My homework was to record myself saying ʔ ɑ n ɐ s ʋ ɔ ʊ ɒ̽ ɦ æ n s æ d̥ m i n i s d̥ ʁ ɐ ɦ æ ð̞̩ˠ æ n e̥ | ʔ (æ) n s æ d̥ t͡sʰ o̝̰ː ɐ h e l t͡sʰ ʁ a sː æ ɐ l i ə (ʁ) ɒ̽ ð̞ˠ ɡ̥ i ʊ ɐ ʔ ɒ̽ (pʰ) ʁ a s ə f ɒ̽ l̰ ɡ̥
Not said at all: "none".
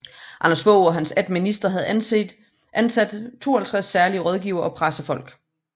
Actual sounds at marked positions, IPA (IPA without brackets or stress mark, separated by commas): æ, ʁ, pʰ